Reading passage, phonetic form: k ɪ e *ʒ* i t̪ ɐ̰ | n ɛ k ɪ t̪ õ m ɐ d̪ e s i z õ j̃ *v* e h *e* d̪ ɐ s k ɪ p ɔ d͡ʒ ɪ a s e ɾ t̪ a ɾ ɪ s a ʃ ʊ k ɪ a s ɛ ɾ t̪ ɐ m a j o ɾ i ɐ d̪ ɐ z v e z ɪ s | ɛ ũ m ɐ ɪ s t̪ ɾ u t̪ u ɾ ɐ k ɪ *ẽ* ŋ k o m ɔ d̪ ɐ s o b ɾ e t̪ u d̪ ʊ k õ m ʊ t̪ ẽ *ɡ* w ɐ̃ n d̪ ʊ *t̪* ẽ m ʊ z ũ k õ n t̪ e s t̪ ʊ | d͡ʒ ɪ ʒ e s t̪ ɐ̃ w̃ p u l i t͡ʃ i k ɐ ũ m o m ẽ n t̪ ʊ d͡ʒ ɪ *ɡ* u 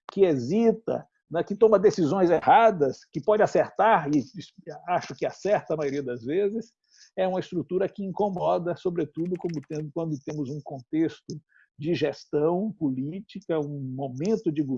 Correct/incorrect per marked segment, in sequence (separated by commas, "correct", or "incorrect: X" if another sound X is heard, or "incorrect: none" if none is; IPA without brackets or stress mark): incorrect: z, incorrect: z, incorrect: a, incorrect: ĩ, incorrect: k, correct, correct